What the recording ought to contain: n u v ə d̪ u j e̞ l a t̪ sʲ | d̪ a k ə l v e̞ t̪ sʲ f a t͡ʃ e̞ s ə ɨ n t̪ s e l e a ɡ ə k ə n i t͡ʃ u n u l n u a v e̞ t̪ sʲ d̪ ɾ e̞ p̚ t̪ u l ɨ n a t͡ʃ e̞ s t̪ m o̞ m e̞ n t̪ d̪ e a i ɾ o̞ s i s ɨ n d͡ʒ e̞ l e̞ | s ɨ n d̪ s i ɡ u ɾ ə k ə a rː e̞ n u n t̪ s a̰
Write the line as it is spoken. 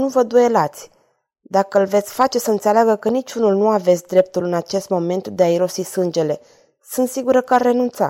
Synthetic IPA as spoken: n u v ə d̪ u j e̞ l a t̪ sʲ | d̪ a k ə l v e̞ t̪ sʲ f a t͡ʃ e̞ s ə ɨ n t̪ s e l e a ɡ ə k ə n i t͡ʃ u n u l n u a v e̞ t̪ sʲ d̪ ɾ e̞ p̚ t̪ u l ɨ n a t͡ʃ e̞ s t̪ m o̞ m e̞ n t̪ d̪ e a i ɾ o̞ s i s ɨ n d͡ʒ e̞ l e̞ | s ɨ n t̪ s i ɡ u ɾ ə k ə a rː e̞ n u n t̪ s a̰